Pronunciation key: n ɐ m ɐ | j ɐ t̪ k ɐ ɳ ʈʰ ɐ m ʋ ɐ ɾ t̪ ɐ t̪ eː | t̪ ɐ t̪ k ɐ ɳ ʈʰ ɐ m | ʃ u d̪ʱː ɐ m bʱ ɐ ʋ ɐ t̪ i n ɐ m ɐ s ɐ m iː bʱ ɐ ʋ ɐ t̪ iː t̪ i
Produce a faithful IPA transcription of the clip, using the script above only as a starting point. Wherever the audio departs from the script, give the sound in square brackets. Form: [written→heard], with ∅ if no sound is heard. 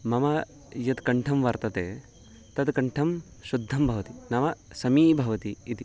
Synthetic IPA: [n→m] ɐ m ɐ | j ɐ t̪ k ɐ ɳ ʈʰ ɐ m ʋ ɐ ɾ t̪ ɐ t̪ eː | t̪ ɐ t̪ k ɐ ɳ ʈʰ ɐ m | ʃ u d̪ʱː ɐ m bʱ ɐ ʋ ɐ t̪ i n ɐ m ɐ s ɐ m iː bʱ ɐ ʋ ɐ t̪ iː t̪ i